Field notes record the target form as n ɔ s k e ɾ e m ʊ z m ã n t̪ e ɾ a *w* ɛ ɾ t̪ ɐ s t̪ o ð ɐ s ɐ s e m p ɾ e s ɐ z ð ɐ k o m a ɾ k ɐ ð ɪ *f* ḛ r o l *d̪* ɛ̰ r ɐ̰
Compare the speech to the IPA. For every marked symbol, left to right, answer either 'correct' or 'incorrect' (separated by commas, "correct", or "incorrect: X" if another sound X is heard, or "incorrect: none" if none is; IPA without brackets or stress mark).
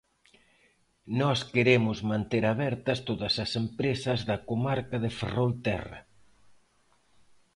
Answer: incorrect: β, correct, incorrect: t̪